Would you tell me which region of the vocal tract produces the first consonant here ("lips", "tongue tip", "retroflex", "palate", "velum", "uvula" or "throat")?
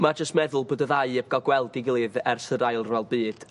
lips